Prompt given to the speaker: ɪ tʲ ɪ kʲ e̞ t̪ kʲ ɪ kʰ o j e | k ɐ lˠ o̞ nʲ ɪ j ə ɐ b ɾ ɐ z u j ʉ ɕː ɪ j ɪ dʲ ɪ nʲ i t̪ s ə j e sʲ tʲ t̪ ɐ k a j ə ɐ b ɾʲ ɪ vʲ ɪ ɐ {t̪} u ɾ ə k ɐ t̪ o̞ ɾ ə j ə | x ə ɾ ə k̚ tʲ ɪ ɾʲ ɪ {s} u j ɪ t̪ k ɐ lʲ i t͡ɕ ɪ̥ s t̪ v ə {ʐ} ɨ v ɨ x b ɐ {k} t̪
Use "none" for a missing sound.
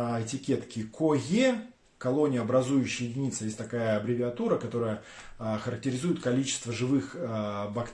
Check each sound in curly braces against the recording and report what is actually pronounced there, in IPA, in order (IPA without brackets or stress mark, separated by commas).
t̪, z, ʐ, k